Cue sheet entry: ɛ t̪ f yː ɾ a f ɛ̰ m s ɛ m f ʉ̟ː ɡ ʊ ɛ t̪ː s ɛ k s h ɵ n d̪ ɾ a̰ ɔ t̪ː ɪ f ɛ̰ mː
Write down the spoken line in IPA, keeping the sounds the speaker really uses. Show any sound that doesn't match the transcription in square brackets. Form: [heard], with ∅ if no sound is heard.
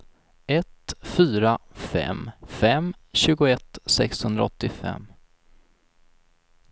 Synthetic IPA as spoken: ɛ t̪ f yː ɾ a f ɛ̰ m [f] ɛ m [ɕ] ʉ̟ː ɡ ʊ ɛ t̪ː s ɛ k s h ɵ n d̪ ɾ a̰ ɔ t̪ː ɪ f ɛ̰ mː